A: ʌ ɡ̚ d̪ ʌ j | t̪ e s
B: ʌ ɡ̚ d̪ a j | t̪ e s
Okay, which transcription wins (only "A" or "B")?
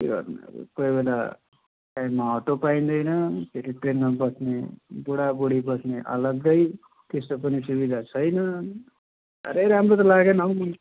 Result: A